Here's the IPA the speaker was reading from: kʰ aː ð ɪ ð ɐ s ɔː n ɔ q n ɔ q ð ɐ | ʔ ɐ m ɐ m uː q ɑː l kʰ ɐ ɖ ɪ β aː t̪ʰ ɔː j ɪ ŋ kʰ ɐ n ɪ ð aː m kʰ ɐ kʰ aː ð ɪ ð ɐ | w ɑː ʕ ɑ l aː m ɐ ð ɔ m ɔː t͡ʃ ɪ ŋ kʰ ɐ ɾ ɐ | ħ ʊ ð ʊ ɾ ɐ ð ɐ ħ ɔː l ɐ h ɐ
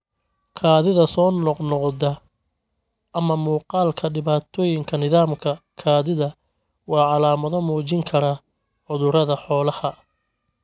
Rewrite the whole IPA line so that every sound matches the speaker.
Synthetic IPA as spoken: kʰ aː ð ɪ ð ɐ s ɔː n ɔ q n ɔ q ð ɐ | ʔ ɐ m ɐ m uː q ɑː l kʰ ɐ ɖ ɪ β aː t̪ʰ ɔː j ɪ ŋ kʰ ɐ n ɪ ð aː m kʰ ɐ kʰ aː ð ɪ ð ɐ | w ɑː ʕ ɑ l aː m ɐ ð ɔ m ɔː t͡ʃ ɪ ŋ kʰ ɐ ɾ ɐ | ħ ʊ ð ʊ ɾ ɐ ð ɐ ħ ɔː l ɐ h ɐ

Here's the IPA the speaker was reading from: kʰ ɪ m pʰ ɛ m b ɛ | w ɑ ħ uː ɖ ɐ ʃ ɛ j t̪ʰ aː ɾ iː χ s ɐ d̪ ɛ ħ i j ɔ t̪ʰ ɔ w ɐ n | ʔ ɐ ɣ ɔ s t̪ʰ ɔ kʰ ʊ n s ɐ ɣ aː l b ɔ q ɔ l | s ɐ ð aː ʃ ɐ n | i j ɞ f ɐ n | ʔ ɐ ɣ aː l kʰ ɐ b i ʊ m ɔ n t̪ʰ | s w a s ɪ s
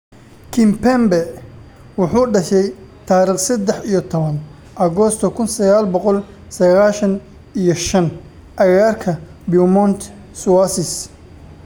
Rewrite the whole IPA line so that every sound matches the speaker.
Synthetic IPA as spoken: kʰ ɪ m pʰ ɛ m b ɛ | w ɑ ħ uː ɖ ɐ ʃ ɛ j t̪ʰ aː ɾ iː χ s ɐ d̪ ɛ ħ i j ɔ t̪ʰ ɔ β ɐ n | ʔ ɐ ɣ ɔ s t̪ʰ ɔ kʰ ʊ n s ɐ ɣ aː l b ɔ q ɔ l | s ɐ ɣ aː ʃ ɐ n | i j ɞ ʃ ɐ n | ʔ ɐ ɣ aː r kʰ ɐ b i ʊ m ɔ n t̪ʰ | s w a s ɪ s

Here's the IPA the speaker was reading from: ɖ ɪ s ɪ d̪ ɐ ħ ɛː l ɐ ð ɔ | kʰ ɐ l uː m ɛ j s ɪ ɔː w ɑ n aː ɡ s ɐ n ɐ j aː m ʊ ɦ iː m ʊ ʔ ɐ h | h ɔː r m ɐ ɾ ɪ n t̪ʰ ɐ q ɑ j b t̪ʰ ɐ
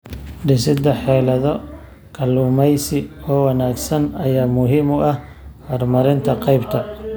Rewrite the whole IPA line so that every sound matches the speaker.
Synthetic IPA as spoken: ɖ ɪ s ɪ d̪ ɐ ħ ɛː l ɐ ð ɔ | kʰ ɐ l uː m ɛ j s ɪ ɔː w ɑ n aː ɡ s ɐ n ɐ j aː m ʊ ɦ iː m ʊ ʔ ɐ h | h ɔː r m ɐ ɾ ɪ n t̪ʰ ɐ q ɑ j b t̪ʰ ɐ

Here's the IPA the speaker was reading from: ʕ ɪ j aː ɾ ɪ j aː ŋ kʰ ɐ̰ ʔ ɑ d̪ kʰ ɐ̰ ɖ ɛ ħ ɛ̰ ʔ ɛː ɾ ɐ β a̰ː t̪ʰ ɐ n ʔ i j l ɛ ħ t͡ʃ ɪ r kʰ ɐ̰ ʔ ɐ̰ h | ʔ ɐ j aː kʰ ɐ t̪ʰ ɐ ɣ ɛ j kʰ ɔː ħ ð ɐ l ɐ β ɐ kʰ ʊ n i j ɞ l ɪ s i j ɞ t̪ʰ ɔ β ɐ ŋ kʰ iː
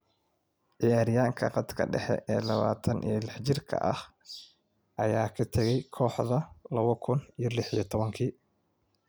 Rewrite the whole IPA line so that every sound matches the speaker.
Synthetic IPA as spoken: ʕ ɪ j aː ɾ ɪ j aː ŋ kʰ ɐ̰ q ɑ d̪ kʰ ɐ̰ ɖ ɛ ħ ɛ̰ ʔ ɛː l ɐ β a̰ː t̪ʰ ɐ n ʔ i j l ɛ ħ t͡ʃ ɪ r kʰ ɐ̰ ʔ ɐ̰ h | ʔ ɐ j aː kʰ ɐ t̪ʰ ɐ ɣ ɛ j kʰ ɔː ħ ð ɐ l ɐ β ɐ kʰ ʊ n i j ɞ l ɪ ħ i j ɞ t̪ʰ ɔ β ɐ ŋ kʰ iː

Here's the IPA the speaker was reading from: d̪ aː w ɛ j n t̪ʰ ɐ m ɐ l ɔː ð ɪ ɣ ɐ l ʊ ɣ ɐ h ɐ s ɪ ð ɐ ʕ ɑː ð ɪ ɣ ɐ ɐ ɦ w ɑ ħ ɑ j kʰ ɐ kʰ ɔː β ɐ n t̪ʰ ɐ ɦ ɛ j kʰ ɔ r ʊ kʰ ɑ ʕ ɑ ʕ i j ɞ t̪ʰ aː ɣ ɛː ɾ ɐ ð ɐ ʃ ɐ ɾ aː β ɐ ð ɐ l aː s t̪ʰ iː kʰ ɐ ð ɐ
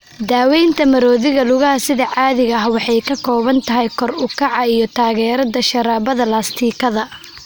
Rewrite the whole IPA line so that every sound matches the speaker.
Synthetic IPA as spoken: d̪ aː w ɛ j n t̪ʰ ɐ m ɐ ɾ ɔː ð ɪ ɣ ɐ l ʊ ɣ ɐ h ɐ s ɪ ð ɐ ʕ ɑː ð ɪ ɣ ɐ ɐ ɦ w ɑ ħ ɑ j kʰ ɐ kʰ ɔː β ɐ n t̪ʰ ɐ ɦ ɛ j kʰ ɔ r ʊ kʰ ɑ ʕ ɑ i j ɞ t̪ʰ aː ɣ ɛː ɾ ɐ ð ɐ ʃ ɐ ɾ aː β ɐ ð ɐ l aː s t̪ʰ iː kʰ ɐ ð ɐ

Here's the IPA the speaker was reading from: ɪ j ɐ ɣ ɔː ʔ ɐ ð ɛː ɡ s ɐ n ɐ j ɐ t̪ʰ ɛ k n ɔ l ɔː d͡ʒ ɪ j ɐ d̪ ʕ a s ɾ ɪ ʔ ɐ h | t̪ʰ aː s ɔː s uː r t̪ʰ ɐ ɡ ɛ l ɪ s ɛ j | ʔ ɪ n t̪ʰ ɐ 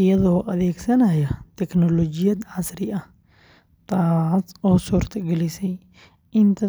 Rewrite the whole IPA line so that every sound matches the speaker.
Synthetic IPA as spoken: ɪ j ɐ ð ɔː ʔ ɐ ð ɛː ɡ s ɐ n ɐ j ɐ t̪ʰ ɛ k n ɔ l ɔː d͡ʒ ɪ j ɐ d̪ ʕ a s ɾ ɪ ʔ ɐ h | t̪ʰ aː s ɔː s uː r t̪ʰ ɐ ɡ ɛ l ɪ s ɛ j | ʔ ɪ n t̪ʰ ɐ

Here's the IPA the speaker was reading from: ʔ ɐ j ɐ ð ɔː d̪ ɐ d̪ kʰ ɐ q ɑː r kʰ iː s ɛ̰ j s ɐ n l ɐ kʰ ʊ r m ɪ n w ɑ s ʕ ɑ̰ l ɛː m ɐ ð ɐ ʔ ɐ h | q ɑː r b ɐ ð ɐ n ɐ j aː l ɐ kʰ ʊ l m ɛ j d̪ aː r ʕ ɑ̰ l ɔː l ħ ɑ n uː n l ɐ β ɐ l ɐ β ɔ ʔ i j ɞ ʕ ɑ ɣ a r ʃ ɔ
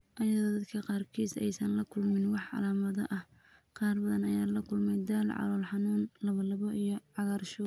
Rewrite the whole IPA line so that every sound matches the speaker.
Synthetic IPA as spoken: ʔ ɐ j ɐ ð ɔː d̪ ɐ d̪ kʰ ɐ q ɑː r kʰ iː s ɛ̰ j s ɐ n l ɐ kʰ ʊ l m ɪ n w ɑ ħ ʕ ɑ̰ l aː m ɐ ð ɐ ʔ ɐ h | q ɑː r b ɐ ð ɐ n ɐ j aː l ɐ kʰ ʊ l m ɛ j d̪ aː l ʕ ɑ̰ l ɔː l ħ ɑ n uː n l ɐ β ɐ l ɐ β ɔ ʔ i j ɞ ʕ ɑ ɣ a r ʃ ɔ

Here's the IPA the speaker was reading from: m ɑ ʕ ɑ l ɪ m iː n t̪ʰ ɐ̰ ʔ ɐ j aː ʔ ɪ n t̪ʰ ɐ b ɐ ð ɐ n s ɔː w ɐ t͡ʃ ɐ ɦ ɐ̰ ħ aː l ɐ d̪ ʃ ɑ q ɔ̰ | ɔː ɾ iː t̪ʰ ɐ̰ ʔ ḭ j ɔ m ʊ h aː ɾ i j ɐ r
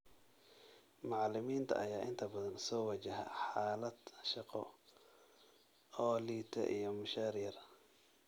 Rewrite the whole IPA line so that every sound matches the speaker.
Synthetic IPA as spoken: m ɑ ʕ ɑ l ɪ m iː n t̪ʰ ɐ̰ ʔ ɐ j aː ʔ ɪ n t̪ʰ ɐ b ɐ ð ɐ n s ɔː w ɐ t͡ʃ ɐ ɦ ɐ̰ ħ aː l ɐ d̪ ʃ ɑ q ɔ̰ | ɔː l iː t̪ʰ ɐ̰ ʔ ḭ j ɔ m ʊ ʃ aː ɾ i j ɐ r

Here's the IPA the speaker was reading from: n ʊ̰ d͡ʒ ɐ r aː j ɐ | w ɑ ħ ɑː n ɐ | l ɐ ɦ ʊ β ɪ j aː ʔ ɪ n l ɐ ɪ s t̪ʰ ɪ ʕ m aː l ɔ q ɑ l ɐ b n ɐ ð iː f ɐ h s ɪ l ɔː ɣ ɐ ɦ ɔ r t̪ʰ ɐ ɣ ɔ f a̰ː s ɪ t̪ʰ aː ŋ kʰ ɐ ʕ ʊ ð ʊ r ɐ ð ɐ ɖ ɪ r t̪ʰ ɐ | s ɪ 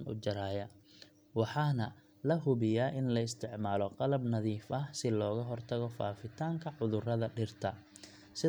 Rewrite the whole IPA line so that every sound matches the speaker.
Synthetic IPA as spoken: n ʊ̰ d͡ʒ ɐ ɾ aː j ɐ | w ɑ ħ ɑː n ɐ | l ɐ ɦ ʊ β ɪ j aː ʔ ɪ n l ɐ ɪ s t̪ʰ ɪ ʕ m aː l ɔ q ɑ l ɐ b n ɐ ð iː f ɐ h s ɪ l ɔː ɣ ɐ ɦ ɔ r t̪ʰ ɐ ɣ ɔ f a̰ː f ɪ t̪ʰ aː ŋ kʰ ɐ ʕ ʊ ð ʊ r ɐ ð ɐ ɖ ɪ r t̪ʰ ɐ | s ɪ

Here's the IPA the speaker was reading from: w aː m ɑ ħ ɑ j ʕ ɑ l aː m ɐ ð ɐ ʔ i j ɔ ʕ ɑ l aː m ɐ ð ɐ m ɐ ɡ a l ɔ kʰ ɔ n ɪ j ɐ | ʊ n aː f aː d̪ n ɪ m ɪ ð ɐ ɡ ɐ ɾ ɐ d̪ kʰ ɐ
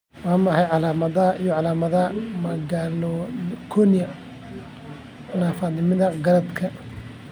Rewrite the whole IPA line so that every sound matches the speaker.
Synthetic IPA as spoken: w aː m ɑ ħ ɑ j ʕ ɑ l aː m ɐ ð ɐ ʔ i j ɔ ʕ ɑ l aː m ɐ ð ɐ m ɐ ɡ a l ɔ kʰ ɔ n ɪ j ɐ | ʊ n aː f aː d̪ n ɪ m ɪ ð ɐ ɡ ɐ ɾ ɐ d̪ kʰ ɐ

